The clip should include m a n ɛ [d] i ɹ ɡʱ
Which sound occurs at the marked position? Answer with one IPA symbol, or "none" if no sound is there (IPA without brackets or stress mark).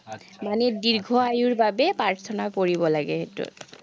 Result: d